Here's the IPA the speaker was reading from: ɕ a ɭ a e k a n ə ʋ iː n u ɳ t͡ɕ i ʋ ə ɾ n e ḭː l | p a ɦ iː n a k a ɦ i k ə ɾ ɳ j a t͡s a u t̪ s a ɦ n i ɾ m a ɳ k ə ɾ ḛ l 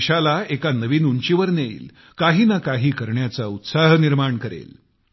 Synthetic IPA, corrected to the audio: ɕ a l a e k a n ə ʋ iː n u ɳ t͡ɕ i ʋ ə ɾ n e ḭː l | k a ɦ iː n a k a ɦ iː k ə ɾ ɳ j a t͡s a u t̪ s a ɦ n i ɾ m a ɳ k ə ɾ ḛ l